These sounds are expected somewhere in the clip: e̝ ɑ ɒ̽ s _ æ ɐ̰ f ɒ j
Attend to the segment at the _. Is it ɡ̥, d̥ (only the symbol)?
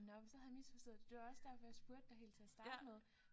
d̥